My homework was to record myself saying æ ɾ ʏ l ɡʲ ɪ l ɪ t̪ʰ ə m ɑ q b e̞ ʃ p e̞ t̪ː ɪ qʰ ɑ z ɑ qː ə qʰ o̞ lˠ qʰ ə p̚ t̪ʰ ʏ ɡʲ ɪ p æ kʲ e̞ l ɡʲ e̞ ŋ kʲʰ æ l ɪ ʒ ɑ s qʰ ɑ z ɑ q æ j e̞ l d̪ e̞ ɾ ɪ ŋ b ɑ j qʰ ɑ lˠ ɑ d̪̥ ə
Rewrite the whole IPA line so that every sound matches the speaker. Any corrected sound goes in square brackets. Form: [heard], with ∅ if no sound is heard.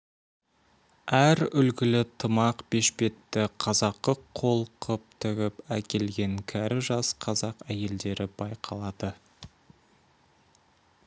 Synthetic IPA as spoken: æ ɾ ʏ l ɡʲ ɪ l ɪ t̪ʰ ə m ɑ q b e̞ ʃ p e̞ t̪ː ɪ qʰ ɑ z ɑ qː ə qʰ o̞ lˠ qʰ ə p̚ t̪ʰ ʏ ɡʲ ɪ p æ kʲ e̞ l ɡʲ e̞ ŋ kʲʰ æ [ɾ] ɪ ʒ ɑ s qʰ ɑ z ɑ q æ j e̞ l d̪ e̞ ɾ ɪ [∅] b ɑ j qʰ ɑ lˠ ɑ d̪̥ ə